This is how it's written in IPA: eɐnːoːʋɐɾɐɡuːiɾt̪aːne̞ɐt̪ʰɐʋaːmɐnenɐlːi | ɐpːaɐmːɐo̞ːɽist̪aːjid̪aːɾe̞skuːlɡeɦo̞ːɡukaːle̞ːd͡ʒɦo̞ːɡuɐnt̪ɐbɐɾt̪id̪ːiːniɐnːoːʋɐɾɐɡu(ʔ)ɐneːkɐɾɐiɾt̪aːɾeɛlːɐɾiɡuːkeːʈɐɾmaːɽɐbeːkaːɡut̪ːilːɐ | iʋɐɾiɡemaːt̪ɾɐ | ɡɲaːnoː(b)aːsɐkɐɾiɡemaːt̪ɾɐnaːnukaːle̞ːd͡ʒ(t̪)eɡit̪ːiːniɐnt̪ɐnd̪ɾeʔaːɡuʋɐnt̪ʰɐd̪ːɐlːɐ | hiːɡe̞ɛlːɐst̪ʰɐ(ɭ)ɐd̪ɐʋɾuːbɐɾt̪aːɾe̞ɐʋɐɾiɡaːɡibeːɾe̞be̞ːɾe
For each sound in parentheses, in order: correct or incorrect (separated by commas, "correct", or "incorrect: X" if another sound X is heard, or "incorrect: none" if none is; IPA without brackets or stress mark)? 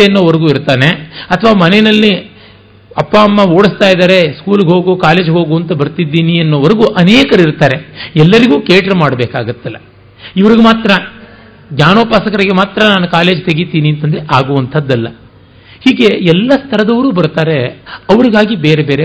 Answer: correct, incorrect: p, correct, incorrect: ɾ